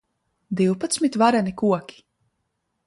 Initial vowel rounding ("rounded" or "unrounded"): unrounded